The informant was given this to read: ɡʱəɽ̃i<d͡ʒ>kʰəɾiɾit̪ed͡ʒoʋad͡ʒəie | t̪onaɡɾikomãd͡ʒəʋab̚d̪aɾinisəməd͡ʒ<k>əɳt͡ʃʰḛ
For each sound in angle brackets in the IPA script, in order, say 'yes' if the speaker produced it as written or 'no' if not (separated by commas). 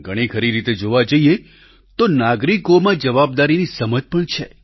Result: no, no